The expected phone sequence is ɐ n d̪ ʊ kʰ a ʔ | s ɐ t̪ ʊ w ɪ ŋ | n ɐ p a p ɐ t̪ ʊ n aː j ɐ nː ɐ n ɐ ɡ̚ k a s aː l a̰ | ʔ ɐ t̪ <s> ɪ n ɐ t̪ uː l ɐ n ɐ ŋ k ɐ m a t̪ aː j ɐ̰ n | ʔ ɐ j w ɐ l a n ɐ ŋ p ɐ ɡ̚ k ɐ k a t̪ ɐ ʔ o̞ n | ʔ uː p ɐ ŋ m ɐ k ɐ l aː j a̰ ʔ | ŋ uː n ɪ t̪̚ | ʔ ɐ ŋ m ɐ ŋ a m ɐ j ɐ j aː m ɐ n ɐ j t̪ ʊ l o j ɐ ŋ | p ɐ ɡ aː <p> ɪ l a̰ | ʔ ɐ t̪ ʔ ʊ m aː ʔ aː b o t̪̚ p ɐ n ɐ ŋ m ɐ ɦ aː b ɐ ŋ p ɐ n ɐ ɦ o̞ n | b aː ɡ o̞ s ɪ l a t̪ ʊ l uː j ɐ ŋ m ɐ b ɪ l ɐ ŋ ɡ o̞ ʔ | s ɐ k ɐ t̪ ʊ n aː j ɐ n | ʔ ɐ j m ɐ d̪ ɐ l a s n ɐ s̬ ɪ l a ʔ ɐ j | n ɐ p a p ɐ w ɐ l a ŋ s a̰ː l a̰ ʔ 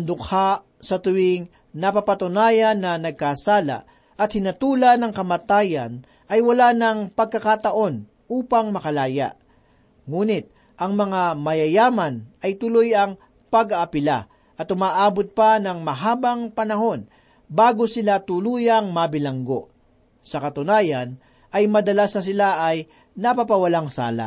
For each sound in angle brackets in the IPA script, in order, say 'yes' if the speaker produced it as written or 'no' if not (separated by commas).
no, yes